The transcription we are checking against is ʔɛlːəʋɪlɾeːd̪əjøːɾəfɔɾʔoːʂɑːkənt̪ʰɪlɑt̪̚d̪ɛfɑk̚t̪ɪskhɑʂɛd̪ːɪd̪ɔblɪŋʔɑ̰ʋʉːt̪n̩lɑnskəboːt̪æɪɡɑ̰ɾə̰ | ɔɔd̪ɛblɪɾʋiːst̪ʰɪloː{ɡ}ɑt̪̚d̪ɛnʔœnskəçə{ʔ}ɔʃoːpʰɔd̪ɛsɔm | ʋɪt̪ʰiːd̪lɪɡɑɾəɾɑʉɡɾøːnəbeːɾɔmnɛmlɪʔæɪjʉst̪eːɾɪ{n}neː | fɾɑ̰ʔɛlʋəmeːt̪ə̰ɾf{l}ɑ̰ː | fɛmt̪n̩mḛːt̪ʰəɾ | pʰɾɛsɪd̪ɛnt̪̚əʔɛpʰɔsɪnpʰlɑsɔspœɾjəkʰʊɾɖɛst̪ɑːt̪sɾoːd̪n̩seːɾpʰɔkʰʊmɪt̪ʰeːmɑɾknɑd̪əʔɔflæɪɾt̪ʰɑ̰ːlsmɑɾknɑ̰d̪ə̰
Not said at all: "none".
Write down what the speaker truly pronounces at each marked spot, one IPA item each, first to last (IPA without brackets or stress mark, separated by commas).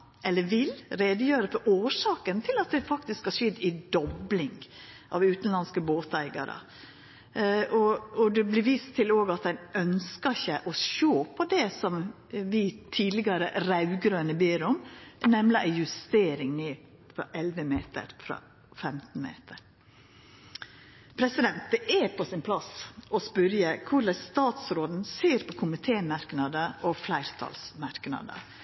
ɡ, ʔ, ŋ, ɾ